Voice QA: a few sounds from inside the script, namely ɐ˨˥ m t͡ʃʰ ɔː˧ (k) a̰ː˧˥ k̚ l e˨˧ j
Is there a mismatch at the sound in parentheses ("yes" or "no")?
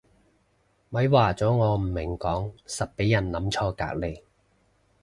no